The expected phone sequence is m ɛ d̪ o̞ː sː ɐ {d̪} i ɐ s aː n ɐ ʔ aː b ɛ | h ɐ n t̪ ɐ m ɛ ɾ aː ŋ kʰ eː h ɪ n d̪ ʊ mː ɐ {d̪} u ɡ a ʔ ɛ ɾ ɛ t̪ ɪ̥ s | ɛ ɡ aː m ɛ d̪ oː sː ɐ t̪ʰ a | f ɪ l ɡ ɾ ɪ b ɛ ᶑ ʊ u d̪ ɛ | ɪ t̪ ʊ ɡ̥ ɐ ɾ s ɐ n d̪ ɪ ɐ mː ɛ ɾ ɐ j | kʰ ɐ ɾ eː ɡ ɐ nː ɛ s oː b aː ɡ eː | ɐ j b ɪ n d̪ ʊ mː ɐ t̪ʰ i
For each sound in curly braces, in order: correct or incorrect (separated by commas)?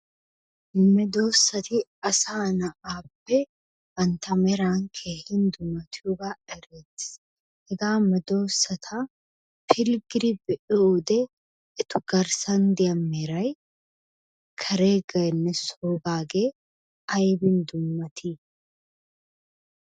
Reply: incorrect, incorrect